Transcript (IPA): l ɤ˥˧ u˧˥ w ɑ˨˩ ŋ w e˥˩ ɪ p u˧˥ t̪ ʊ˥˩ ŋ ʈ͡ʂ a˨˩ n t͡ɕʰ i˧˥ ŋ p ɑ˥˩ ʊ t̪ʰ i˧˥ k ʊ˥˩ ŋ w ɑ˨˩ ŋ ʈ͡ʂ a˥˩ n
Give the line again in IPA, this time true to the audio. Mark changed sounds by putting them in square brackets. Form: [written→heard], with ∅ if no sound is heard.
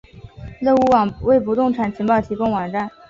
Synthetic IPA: l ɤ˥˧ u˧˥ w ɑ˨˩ ŋ w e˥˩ ɪ p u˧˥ t̪ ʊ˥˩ ŋ [ʈ͡ʂ→ʈ͡ʂʰ] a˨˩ n t͡ɕʰ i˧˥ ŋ p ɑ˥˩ ʊ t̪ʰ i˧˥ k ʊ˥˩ ŋ w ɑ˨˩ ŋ ʈ͡ʂ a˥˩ n